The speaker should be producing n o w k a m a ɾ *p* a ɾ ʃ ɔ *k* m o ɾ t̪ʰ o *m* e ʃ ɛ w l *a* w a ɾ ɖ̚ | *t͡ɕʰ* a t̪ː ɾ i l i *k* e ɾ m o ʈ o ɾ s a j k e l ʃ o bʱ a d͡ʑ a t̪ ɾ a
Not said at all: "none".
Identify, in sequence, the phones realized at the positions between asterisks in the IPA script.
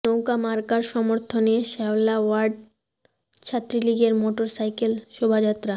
k, none, n, a, t͡ɕʰ, ɡ

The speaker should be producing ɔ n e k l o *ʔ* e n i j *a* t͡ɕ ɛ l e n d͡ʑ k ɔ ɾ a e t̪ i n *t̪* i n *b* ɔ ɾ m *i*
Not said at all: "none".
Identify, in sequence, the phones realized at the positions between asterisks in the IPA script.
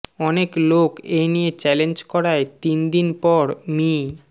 k, e, d̪, p, i

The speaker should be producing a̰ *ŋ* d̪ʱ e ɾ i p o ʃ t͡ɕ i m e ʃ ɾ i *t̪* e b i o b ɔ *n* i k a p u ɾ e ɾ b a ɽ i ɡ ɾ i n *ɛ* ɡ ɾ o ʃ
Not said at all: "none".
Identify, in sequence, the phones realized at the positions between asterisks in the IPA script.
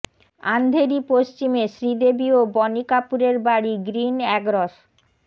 n, d̪, n, ɛ

